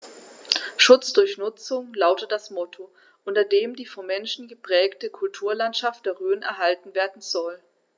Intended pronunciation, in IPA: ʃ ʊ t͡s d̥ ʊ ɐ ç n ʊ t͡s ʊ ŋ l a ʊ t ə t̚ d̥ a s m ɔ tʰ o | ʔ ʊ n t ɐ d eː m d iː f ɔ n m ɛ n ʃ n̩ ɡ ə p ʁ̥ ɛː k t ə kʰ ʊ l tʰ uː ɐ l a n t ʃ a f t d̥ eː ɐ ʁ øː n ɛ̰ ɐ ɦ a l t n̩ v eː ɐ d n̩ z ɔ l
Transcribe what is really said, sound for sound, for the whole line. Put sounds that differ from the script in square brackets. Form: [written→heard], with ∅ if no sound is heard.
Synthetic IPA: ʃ ʊ t͡s d̥ ʊ ɐ ç n ʊ t͡s ʊ ŋ l a ʊ t ə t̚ d̥ a s m ɔ tʰ o | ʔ ʊ n t ɐ d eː m d iː f ɔ n m ɛ n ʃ n̩ ɡ ə p ʁ̥ ɛː k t ə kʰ ʊ l tʰ uː ɐ l a n t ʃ a f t d̥ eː ɐ ʁ øː n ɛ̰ ɐ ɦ a l t n̩ v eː ɐ d n̩ z ɔ l